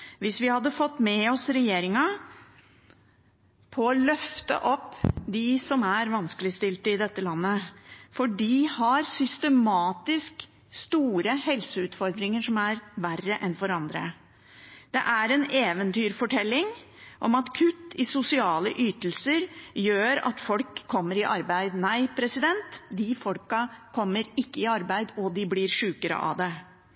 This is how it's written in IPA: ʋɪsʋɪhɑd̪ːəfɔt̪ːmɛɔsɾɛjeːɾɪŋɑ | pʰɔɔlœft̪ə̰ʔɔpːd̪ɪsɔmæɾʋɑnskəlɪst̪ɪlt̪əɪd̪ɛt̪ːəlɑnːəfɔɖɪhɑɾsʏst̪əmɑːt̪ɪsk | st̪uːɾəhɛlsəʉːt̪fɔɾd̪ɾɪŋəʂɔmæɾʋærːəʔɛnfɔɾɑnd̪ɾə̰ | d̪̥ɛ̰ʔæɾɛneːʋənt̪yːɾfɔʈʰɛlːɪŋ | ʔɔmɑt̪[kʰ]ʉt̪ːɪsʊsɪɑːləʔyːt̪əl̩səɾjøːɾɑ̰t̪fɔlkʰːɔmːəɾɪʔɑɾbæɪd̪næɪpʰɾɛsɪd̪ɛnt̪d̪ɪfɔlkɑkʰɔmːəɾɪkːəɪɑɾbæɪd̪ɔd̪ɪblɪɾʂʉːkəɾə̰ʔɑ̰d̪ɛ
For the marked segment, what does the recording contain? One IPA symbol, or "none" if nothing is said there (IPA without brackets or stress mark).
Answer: kʰ